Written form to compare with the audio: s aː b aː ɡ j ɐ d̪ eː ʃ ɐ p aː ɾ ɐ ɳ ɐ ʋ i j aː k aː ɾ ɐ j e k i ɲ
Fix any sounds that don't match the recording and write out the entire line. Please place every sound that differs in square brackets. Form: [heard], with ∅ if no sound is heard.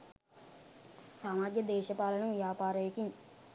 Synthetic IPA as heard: s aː [m] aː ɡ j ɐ d̪ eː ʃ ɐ p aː [l] ɐ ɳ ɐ ʋ i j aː [p] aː ɾ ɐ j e k i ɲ